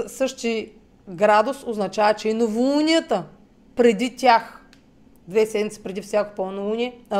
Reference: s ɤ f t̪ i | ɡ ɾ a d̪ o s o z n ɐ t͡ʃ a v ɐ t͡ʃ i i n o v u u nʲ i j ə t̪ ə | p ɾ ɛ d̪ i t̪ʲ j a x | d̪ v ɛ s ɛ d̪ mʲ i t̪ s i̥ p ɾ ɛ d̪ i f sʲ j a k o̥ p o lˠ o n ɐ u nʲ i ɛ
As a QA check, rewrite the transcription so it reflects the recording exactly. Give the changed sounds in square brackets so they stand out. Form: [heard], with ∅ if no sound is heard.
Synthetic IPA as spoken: s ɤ [ʃ] t̪ i | ɡ ɾ a d̪ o s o z n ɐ t͡ʃ a v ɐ t͡ʃ [ɛ] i n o v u u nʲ i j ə t̪ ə | p ɾ ɛ d̪ i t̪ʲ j a x | d̪ v ɛ s ɛ d̪ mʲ i t̪ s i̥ p ɾ ɛ d̪ i f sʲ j a k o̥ p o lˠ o n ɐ u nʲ i ɛ